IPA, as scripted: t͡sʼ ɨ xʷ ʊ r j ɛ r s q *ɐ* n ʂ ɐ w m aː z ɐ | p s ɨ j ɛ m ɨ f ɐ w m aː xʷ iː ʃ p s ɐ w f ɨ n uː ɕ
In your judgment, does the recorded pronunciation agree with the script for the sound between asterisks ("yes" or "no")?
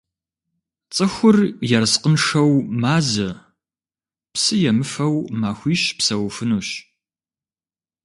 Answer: no